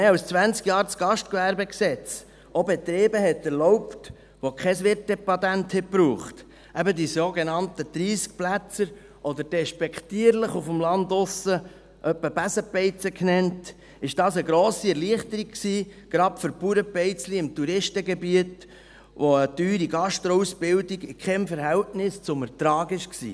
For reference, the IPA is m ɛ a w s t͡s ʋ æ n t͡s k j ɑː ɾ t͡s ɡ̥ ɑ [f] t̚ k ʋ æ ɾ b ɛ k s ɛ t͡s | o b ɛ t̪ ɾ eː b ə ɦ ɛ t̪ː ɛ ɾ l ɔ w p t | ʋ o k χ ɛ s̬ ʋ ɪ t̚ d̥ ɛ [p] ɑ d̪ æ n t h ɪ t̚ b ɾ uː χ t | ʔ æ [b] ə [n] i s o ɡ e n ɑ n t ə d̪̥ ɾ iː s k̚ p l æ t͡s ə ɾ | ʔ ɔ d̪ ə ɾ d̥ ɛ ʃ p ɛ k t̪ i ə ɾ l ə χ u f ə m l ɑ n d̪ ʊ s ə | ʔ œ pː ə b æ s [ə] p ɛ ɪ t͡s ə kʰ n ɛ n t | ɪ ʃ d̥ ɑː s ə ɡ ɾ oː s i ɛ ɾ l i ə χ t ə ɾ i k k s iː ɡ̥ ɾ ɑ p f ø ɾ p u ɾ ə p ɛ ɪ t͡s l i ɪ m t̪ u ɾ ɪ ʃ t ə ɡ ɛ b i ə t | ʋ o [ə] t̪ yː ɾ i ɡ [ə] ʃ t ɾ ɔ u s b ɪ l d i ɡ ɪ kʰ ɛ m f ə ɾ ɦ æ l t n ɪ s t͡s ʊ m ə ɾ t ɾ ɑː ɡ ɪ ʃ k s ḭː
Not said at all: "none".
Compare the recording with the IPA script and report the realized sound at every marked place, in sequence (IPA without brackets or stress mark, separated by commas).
ʃ, p, b, d, ə, ə, ɑ